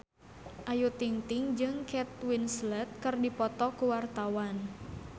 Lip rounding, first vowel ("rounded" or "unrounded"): unrounded